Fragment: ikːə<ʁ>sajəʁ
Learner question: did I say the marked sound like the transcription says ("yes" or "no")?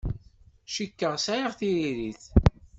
yes